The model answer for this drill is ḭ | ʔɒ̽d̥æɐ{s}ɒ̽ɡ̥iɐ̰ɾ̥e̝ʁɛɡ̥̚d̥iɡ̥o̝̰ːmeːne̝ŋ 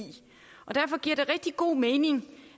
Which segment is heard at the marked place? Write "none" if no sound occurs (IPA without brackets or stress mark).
f